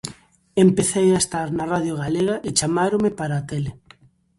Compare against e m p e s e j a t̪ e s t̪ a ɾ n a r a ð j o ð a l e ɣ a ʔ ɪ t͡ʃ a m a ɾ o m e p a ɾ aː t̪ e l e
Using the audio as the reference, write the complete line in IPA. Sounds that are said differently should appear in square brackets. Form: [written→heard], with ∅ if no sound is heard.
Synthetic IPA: e m p e [s→θ] e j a [t̪→∅] e s t̪ a ɾ n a r a ð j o [ð→ɣ] a l e ɣ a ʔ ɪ t͡ʃ a m a ɾ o m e p a ɾ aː t̪ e l e